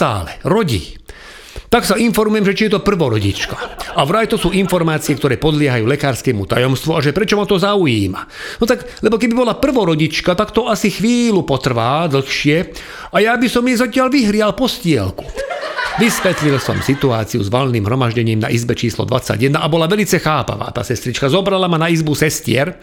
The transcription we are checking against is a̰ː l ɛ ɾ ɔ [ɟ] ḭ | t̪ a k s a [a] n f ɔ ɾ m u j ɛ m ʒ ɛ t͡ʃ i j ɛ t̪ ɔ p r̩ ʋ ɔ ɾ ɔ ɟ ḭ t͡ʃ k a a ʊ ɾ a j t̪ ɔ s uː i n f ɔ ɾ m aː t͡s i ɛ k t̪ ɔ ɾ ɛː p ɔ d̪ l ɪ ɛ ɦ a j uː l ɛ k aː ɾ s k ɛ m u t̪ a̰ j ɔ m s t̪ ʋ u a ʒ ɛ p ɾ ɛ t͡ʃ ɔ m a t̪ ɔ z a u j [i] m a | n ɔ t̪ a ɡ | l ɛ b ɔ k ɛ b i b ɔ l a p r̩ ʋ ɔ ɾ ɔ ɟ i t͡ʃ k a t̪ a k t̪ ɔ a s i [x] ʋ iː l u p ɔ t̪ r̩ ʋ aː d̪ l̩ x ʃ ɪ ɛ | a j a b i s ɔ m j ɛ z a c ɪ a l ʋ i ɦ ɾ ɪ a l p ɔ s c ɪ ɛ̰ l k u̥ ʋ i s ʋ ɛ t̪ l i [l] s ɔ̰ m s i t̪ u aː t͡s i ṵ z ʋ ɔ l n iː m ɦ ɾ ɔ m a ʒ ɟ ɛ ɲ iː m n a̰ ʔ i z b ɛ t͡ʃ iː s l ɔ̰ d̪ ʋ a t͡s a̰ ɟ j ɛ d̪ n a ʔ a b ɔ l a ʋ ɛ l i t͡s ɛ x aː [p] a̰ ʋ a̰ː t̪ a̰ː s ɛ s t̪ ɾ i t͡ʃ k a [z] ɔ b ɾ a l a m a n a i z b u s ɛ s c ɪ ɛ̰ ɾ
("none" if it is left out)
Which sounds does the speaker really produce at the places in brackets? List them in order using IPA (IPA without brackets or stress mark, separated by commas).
ɟ, i, iː, x, l, p, z